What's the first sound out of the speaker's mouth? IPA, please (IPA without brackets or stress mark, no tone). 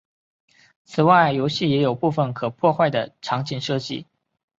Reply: t͡sʰ